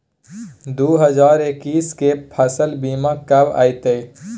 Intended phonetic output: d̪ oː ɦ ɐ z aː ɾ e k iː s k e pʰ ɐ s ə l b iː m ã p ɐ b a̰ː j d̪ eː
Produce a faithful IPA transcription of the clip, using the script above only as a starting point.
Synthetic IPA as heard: d̪ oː ɦ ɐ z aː ɾ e k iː s k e pʰ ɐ s ə l b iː m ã k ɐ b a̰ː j t̪ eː